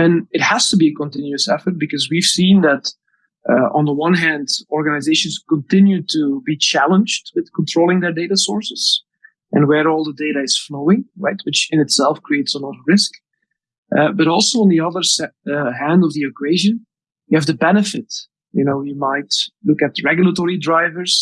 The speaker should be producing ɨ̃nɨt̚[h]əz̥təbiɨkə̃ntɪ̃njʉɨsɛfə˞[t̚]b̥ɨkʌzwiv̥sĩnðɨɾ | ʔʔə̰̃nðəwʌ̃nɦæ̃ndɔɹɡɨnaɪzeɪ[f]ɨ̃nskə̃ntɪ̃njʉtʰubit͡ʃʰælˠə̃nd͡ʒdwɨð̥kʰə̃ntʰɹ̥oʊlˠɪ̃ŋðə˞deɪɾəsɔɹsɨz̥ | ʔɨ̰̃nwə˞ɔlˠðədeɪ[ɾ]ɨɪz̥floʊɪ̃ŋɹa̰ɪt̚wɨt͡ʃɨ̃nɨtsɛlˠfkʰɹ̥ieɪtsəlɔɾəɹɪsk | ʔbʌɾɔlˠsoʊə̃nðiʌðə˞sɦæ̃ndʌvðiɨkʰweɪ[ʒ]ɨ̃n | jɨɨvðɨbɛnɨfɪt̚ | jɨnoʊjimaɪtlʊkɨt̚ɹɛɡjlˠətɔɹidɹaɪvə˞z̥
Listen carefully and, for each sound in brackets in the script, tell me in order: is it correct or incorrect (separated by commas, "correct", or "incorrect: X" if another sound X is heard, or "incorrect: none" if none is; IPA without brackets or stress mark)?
correct, correct, incorrect: ʃ, correct, correct